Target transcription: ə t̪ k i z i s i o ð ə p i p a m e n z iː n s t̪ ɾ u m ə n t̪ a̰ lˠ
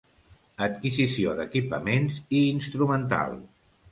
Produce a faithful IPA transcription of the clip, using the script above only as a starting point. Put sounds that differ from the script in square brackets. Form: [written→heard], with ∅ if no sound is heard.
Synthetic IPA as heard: ə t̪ k i z i s i o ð ə [p→k] i p [a→ə] m e n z iː n s t̪ ɾ u m ə n t̪ a̰ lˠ